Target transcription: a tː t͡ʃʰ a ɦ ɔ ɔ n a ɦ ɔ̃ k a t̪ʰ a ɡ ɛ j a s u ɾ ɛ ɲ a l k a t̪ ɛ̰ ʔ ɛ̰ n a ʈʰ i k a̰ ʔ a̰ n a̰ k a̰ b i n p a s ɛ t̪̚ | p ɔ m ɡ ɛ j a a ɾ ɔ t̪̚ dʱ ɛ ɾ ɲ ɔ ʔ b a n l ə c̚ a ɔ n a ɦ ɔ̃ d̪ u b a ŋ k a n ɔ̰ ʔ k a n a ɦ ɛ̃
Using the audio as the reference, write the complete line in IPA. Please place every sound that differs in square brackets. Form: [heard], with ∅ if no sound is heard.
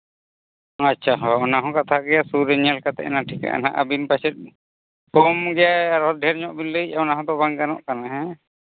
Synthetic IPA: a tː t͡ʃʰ a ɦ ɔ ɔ n a ɦ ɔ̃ k a t̪ʰ a ɡ ɛ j a s u ɾ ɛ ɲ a l k a t̪ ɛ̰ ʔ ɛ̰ n a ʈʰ i k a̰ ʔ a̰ n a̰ [ʔ] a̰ b i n p a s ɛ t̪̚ | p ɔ m ɡ ɛ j a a ɾ ɔ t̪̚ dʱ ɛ ɾ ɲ ɔ ʔ b [i] n l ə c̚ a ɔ n a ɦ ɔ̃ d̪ [ɔ] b a ŋ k a n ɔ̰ ʔ k a n a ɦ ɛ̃

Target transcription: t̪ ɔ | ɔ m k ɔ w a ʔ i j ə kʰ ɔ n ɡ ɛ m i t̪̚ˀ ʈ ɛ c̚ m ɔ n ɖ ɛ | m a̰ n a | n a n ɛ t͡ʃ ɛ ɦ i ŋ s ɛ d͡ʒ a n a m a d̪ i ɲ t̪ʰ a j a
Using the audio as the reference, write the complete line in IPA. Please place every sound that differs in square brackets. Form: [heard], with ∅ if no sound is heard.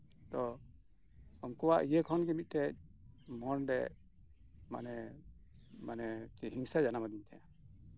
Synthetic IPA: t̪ ɔ | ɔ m k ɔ w a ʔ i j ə kʰ ɔ n ɡ ɛ m i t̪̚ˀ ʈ ɛ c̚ m ɔ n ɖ ɛ | m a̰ n [ɛ] | [m] a n ɛ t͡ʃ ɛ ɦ i ŋ s [a] d͡ʒ a n a m a d̪ i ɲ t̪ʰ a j a

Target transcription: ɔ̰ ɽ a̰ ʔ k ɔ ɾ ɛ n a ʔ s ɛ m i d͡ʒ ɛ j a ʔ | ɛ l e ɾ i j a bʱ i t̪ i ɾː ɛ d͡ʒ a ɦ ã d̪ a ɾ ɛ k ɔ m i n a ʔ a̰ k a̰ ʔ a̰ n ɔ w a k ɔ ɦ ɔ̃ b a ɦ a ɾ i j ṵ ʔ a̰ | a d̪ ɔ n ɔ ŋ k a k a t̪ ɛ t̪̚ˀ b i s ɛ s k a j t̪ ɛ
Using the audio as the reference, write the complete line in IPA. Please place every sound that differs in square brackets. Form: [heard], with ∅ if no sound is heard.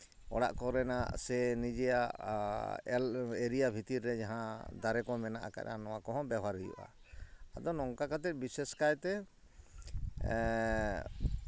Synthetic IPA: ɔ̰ ɽ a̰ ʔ k ɔ ɾ ɛ n a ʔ s ɛ [n] i d͡ʒ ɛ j a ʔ | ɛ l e ɾ i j a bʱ i t̪ i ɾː ɛ d͡ʒ a ɦ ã d̪ a ɾ ɛ k ɔ m [ɛ] n a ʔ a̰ k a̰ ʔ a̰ n ɔ w a k ɔ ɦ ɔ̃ b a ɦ a ɾ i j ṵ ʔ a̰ | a d̪ ɔ n ɔ ŋ k a k a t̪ ɛ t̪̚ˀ b i s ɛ s k a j t̪ ɛ

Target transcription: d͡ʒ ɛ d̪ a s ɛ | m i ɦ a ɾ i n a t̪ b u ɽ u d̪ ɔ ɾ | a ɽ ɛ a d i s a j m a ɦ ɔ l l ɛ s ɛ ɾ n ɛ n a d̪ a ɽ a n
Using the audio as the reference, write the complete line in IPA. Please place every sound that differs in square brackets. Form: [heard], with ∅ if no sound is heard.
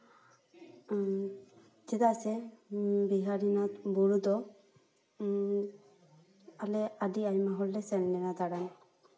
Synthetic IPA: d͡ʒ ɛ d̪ a s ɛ | [b] i ɦ a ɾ i n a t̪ b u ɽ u d̪ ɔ [∅] | a [l] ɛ a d i [∅] a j m a ɦ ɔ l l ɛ s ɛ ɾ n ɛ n a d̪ a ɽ a n

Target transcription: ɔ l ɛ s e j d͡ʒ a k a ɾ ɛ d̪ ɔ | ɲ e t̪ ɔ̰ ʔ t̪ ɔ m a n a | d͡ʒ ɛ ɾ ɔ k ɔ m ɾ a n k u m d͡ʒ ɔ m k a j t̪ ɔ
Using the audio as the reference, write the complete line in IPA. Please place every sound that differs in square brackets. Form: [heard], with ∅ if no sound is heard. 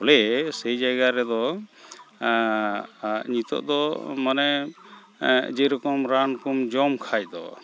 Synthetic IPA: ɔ l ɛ s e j d͡ʒ a [ɡ] a ɾ ɛ d̪ ɔ | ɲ [i] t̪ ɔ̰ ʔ [d̪] ɔ m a n [ɛ] | d͡ʒ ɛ ɾ ɔ k ɔ m ɾ a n k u m d͡ʒ ɔ m [kʰ] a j [d̪] ɔ

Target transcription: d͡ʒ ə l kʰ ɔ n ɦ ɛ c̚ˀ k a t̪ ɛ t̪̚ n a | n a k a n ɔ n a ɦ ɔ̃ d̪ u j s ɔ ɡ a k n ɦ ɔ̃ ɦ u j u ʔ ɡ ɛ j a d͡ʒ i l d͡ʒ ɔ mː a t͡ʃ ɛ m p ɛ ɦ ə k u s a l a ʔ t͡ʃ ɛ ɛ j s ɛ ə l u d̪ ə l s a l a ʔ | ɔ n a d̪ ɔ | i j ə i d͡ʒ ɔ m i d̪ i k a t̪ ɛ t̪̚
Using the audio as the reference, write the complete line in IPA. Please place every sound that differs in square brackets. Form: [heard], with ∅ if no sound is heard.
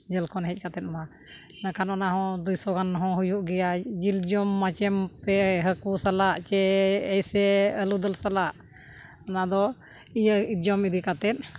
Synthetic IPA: d͡ʒ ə l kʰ ɔ n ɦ ɛ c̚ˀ k a t̪ ɛ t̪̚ [m] a | n a k a n ɔ n a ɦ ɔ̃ d̪ u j s ɔ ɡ a [∅] n ɦ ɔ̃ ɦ u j u ʔ ɡ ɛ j a d͡ʒ i l d͡ʒ ɔ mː a t͡ʃ ɛ m p ɛ ɦ ə k u s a l a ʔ t͡ʃ ɛ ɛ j s ɛ ə l u d̪ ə l s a l a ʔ | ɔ n a d̪ ɔ | i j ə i d͡ʒ ɔ m i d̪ i k a t̪ ɛ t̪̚

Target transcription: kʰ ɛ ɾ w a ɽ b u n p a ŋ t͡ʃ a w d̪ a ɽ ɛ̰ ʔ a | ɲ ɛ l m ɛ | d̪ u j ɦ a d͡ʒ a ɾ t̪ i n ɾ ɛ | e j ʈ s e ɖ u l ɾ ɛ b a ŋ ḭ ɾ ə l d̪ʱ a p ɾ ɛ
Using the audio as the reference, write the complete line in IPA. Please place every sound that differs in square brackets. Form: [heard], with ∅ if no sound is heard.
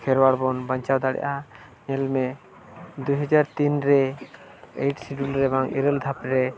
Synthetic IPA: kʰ ɛ ɾ w a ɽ b [ɔ] n [b] a [ɲ] t͡ʃ a w d̪ a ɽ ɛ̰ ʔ a | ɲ ɛ l m ɛ | d̪ u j ɦ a d͡ʒ a ɾ t̪ i n ɾ ɛ | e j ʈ s [i] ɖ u l ɾ ɛ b a ŋ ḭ ɾ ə l d̪ʱ a p ɾ ɛ

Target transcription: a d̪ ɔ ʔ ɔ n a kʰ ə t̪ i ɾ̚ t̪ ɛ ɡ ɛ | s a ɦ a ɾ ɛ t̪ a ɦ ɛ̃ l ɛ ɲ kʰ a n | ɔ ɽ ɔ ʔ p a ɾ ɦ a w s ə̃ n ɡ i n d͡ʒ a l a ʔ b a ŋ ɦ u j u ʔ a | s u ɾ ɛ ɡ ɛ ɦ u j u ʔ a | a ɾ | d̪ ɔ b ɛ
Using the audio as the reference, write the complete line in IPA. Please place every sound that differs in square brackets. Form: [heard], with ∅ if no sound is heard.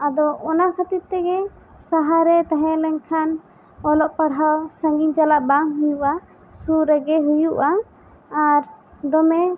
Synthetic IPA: a d̪ ɔ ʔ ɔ n a kʰ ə t̪ i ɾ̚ t̪ ɛ ɡ ɛ | s a ɦ a ɾ ɛ t̪ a ɦ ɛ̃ l ɛ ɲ kʰ a n | ɔ [l] ɔ ʔ p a [ɽ] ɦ a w s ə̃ [ŋ] ɡ i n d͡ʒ a l a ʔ b a ŋ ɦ u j u ʔ a | s u ɾ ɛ ɡ ɛ ɦ u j u ʔ a | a ɾ | d̪ ɔ [m] ɛ

